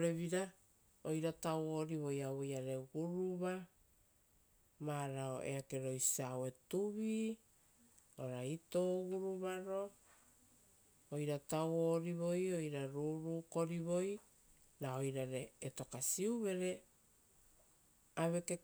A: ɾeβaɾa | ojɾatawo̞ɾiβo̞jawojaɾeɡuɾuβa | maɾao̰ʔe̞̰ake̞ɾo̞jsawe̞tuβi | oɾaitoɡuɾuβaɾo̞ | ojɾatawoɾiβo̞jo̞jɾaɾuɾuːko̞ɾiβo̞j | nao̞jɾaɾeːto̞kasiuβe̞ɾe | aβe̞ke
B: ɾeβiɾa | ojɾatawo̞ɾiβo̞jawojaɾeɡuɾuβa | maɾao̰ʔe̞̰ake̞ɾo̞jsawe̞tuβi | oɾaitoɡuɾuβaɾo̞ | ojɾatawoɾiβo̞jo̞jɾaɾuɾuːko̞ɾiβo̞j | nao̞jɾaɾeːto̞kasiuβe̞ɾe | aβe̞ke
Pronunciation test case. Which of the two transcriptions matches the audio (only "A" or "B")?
B